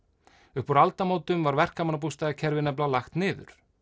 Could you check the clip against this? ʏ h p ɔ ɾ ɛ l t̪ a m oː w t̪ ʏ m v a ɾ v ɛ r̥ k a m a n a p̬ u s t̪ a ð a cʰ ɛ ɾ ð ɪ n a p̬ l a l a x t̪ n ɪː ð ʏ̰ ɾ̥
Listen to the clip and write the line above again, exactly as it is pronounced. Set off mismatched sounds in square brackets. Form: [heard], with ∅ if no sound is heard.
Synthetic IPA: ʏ h p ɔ ɾ [a] l t̪ a m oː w t̪ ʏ m v a ɾ v ɛ r̥ k a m a n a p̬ u s t̪ a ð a cʰ ɛ ɾ [v] ɪ n [ɛ] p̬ l a l a x t̪ n ɪː ð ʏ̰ ɾ̥